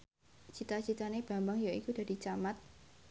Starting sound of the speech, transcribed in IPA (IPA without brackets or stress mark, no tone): t͡ʃ